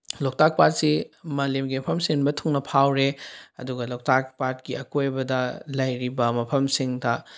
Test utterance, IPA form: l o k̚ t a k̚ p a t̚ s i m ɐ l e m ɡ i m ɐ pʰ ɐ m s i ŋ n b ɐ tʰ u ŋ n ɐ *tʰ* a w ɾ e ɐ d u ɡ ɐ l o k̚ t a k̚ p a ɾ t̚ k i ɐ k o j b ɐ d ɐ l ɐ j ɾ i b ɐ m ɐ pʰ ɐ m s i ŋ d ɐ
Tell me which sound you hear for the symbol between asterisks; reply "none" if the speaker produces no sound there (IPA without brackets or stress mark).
pʰ